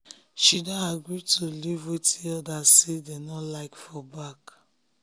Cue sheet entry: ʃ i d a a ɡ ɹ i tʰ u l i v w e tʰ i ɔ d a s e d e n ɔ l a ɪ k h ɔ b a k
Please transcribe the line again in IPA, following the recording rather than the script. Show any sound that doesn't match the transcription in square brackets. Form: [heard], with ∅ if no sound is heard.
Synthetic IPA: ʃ i d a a ɡ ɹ i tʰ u l i v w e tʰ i ɔ d a s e d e n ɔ l a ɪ k [f] ɔ b a k